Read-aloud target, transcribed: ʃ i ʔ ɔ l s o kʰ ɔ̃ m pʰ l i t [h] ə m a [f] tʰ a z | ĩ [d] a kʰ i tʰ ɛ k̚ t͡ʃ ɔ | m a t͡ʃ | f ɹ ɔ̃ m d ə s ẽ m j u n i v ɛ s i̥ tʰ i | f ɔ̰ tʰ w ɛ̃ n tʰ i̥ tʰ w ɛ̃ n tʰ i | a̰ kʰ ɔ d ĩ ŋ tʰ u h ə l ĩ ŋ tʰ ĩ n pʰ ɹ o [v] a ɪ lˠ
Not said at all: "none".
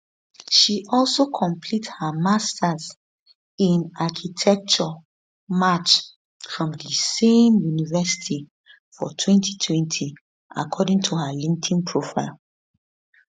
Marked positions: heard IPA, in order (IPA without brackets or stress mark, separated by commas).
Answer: h, s, n, f